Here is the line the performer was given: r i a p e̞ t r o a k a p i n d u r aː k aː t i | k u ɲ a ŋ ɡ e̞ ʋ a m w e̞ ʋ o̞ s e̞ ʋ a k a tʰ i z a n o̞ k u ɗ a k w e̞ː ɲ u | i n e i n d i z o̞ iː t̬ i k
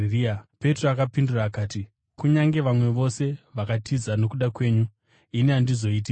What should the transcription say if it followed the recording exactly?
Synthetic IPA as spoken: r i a p e̞ t r o a k a p i n d u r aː k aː t i | k u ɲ a ŋ ɡ e̞ ʋ a m w e̞ ʋ o̞ s e̞ ʋ a k a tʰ i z a n o̞ k u ɗ a k w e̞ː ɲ u | i n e a n d i z o̞ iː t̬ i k